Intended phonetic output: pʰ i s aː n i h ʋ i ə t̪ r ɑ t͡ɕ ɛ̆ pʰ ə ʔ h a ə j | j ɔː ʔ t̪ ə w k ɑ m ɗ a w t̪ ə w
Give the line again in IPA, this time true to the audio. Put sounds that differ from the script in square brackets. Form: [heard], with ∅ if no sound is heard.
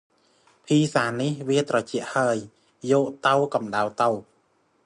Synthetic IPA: pʰ [iː] s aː n i h ʋ i ə t̪ r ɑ t͡ɕ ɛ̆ [∅] ə ʔ h a ə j | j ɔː ʔ t̪ ə w k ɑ m ɗ a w t̪ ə w